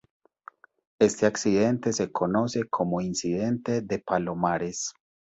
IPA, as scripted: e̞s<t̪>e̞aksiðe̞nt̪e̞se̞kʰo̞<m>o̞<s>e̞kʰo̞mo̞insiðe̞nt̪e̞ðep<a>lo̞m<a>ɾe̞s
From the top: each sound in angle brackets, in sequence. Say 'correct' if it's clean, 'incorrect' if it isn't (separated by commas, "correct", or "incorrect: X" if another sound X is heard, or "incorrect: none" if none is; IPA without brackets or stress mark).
correct, incorrect: n, correct, correct, correct